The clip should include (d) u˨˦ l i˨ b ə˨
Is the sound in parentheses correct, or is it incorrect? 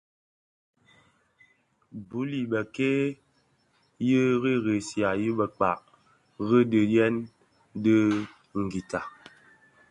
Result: incorrect